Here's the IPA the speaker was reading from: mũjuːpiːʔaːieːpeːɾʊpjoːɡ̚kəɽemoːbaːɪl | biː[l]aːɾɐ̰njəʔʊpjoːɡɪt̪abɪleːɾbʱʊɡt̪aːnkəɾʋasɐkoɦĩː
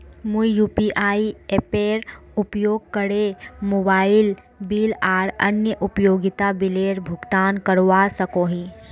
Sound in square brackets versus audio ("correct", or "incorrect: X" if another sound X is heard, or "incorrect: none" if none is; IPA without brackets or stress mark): correct